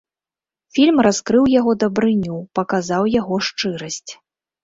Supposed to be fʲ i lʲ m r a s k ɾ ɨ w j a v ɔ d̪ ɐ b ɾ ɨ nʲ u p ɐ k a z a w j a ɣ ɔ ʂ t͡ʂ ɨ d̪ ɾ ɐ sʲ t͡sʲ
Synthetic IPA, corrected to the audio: fʲ i lʲ m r a s k ɾ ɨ w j a ɣ ɔ d̪ ɐ b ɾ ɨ nʲ u p ɐ k a z a w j a ɣ ɔ ʂ t͡ʂ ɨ ɾ ɐ sʲ t͡sʲ